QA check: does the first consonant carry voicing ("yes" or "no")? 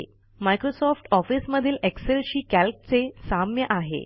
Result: yes